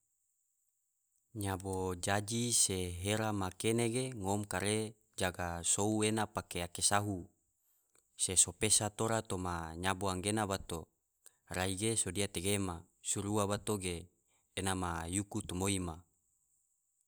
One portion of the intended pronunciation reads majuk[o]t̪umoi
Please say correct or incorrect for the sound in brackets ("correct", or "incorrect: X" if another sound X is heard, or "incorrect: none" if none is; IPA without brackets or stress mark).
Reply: incorrect: u